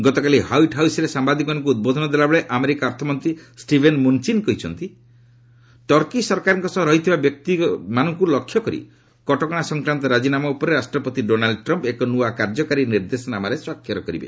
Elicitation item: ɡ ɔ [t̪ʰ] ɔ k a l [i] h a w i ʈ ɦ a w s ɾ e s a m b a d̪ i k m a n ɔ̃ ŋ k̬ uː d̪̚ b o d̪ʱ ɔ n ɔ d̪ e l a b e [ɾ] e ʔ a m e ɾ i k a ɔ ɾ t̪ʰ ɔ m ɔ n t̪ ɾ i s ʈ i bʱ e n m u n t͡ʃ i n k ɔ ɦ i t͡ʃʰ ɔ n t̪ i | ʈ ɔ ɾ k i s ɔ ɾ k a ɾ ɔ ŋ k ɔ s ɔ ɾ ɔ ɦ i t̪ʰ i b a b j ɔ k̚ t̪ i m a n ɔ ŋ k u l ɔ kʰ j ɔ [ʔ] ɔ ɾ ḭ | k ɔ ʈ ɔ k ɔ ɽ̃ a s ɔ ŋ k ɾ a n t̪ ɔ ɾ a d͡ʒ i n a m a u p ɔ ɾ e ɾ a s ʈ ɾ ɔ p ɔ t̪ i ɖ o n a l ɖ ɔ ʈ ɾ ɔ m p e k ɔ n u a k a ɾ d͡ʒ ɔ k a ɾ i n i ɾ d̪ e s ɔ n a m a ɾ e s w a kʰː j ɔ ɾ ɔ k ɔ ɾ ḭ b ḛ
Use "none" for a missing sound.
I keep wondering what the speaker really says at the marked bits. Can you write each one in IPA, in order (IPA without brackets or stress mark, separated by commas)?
t̪, i, ɭ, k